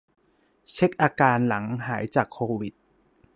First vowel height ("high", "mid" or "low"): mid